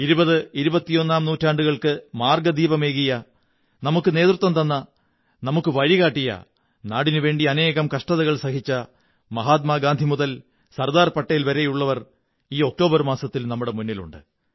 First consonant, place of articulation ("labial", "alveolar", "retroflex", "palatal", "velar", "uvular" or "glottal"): alveolar